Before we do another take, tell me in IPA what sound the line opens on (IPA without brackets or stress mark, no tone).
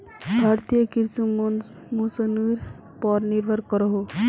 bʱ